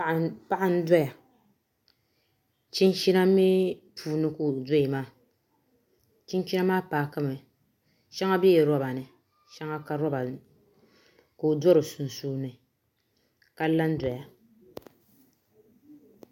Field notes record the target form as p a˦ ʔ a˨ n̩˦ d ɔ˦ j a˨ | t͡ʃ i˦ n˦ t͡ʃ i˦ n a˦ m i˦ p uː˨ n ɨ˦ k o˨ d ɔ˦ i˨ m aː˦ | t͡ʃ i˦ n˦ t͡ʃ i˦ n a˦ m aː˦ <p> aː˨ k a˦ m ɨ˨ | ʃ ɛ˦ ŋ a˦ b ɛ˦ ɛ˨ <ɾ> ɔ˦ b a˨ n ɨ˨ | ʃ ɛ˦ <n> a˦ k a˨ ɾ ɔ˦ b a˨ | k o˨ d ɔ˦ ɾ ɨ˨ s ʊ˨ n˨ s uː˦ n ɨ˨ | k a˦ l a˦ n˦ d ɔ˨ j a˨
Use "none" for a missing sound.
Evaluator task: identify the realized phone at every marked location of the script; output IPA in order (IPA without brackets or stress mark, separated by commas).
p, ɾ, ŋ